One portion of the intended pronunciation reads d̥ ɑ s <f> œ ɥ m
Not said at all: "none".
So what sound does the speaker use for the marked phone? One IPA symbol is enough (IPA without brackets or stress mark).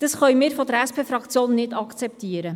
χ